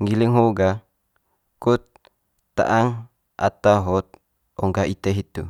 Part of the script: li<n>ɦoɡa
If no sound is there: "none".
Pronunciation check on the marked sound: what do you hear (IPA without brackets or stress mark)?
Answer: ŋ